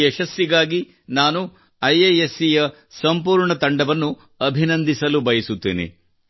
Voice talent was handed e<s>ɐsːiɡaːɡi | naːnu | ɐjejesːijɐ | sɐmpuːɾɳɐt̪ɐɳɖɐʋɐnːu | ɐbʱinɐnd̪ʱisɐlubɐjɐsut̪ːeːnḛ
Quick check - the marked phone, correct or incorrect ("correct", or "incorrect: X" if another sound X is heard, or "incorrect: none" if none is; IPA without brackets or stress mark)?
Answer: incorrect: ʃ